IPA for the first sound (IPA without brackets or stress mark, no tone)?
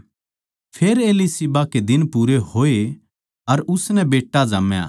pʰ